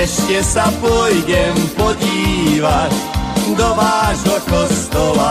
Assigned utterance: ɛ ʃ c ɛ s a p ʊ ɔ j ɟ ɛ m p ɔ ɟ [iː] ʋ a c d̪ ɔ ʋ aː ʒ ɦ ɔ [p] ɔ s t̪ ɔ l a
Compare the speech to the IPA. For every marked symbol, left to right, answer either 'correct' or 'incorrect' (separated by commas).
correct, incorrect